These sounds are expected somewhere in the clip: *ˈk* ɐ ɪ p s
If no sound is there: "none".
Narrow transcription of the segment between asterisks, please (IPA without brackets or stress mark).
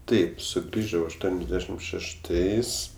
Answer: t